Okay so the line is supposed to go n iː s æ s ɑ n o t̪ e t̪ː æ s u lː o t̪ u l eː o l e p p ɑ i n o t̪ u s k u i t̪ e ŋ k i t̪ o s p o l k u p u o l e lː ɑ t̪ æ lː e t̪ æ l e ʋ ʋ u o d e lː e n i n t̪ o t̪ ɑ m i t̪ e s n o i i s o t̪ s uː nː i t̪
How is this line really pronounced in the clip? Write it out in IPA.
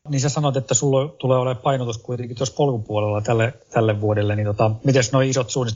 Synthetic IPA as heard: n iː s æ s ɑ n o t̪ e t̪ː æ s u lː o t̪ u l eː o l e p p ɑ i n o t̪ u s k u i t̪ e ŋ k i t̪ o s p o l k u p u o l e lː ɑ t̪ æ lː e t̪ æ lː e ʋ ʋ u o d e lː e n i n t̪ o t̪ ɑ m i t̪ e s n o i i s o t̪ s uː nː i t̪